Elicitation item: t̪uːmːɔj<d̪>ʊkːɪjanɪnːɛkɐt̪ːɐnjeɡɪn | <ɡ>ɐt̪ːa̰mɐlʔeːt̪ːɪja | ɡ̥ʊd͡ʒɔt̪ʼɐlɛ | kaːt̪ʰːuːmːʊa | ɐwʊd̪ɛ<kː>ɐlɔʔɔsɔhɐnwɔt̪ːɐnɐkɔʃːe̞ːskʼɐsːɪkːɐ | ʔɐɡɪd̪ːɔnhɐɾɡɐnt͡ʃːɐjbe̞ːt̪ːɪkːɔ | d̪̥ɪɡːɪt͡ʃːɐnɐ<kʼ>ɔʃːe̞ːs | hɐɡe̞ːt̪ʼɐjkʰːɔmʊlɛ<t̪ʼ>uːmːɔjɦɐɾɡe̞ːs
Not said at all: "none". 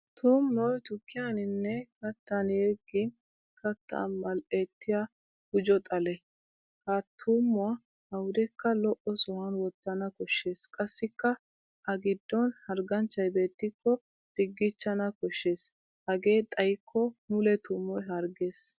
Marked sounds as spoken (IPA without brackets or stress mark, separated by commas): t̪, k, kː, k, t̪